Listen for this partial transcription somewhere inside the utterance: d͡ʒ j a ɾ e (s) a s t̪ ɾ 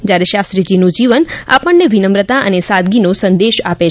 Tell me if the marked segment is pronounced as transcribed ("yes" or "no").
no